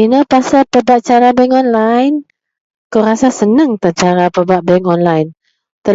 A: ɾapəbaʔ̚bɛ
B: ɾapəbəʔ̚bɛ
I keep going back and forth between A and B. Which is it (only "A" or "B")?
A